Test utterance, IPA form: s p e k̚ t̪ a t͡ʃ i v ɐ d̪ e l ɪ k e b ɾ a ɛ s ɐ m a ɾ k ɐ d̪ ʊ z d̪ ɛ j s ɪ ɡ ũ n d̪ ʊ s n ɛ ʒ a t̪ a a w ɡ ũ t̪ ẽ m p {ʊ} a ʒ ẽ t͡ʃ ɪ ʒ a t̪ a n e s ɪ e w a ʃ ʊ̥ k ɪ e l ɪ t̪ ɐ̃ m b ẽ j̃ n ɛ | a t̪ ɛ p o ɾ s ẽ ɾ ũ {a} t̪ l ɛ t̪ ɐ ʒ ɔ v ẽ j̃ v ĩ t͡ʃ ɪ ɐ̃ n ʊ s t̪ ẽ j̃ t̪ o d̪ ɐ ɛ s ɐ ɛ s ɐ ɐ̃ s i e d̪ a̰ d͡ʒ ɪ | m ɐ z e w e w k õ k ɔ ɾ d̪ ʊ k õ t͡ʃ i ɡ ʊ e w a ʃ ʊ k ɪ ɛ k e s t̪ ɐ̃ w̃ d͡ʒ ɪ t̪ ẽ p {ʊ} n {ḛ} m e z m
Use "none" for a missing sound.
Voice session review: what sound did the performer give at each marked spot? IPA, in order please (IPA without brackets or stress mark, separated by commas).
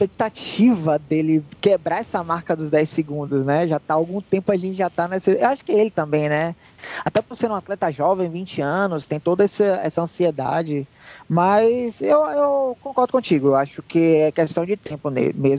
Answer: ʊ, a, ʊ, ḛ